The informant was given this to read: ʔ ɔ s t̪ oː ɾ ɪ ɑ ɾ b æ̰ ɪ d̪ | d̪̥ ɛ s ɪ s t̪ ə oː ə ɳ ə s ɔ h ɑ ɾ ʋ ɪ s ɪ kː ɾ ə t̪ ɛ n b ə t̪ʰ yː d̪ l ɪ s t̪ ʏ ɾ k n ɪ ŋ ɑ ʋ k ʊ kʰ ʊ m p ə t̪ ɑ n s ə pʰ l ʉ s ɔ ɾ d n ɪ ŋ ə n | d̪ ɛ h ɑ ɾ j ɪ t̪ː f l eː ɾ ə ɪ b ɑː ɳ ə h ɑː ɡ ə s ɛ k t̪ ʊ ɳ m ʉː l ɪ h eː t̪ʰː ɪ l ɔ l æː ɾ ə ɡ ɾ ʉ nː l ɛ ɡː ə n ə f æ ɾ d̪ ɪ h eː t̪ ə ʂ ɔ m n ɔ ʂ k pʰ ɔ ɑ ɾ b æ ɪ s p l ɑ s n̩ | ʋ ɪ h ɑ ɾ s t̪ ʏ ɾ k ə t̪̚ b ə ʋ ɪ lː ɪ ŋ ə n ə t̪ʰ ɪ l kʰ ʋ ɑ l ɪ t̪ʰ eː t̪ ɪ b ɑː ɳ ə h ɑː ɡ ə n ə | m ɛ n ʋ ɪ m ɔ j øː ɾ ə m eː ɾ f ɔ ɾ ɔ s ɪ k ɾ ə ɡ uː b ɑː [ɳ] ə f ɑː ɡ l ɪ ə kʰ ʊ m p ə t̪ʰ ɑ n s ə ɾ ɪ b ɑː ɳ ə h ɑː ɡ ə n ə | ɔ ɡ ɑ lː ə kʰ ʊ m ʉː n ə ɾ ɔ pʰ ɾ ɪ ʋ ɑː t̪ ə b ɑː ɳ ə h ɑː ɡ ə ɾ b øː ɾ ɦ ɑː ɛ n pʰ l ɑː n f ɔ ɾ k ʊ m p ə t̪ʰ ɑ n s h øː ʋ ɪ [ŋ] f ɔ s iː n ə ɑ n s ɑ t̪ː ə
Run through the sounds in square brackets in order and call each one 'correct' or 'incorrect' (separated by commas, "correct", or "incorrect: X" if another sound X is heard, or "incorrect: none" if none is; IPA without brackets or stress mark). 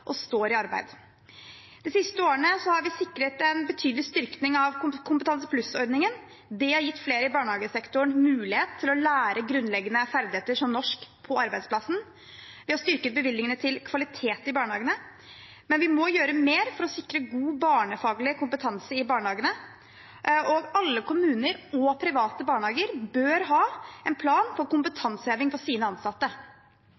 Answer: correct, correct